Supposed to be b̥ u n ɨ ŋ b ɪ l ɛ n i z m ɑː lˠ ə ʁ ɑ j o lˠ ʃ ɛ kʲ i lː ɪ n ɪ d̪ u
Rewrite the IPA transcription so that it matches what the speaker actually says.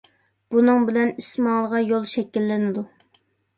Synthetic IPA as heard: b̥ u n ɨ ŋ b ɪ l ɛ n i s m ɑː lˠ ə ʁ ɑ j o lˠ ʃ ɛ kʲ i lː ɪ n ɪ d̪ u